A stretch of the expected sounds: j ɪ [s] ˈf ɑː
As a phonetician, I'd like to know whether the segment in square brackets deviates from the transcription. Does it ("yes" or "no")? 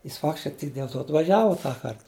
no